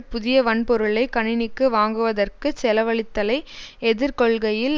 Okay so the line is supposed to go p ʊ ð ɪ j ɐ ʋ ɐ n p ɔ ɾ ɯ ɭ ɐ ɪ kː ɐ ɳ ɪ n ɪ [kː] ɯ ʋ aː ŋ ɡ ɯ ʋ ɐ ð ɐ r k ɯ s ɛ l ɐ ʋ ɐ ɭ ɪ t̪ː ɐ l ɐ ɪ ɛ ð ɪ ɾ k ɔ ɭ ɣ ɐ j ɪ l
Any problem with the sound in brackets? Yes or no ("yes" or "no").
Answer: no